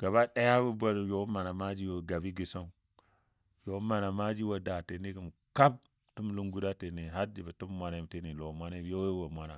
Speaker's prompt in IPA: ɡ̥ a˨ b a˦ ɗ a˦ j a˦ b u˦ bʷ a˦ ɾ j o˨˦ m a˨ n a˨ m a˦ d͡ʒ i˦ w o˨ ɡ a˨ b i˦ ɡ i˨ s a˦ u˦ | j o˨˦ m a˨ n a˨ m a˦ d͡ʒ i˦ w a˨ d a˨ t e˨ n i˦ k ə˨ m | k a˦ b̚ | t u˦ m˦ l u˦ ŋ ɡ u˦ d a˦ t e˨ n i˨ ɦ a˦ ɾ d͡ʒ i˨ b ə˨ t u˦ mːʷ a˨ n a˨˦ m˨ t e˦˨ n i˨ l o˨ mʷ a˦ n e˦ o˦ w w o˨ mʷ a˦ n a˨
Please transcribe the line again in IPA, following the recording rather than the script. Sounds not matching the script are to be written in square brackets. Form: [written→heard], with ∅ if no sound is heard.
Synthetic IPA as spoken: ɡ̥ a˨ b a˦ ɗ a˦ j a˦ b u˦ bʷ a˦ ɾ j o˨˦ m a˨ n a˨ m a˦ d͡ʒ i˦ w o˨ ɡ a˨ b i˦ ɡ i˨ s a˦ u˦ | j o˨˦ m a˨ n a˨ m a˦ d͡ʒ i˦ w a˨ d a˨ t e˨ n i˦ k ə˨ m | k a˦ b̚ | t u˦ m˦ l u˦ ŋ ɡ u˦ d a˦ t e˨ n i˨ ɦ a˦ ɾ d͡ʒ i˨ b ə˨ t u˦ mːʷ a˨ n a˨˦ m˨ t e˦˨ n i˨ l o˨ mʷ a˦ n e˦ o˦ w w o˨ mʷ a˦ n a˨